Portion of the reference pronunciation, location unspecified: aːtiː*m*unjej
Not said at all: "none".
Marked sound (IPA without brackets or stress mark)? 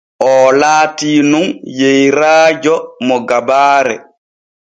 n